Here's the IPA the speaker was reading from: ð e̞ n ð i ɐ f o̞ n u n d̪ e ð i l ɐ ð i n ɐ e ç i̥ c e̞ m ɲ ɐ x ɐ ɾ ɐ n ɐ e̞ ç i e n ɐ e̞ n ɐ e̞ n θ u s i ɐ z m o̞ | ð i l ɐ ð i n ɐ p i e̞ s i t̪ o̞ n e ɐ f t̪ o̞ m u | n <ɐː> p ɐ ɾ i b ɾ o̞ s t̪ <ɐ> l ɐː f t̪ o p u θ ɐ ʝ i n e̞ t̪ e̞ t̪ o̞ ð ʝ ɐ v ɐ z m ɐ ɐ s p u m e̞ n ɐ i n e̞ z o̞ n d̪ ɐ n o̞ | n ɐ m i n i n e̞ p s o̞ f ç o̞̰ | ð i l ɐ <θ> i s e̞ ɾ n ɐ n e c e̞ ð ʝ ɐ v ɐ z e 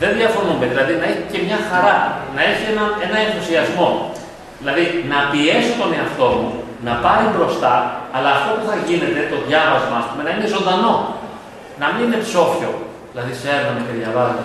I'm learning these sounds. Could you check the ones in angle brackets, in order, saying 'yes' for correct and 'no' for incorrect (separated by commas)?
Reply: no, no, no